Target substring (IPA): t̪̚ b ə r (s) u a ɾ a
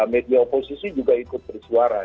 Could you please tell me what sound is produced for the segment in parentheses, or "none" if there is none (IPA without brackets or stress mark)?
s